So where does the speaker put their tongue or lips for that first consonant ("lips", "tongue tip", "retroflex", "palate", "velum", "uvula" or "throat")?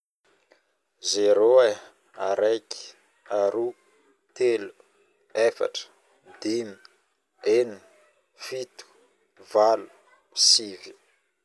tongue tip